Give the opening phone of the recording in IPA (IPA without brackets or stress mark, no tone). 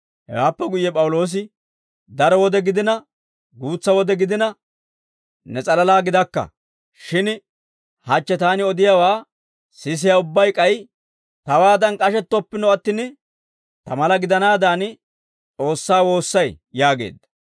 h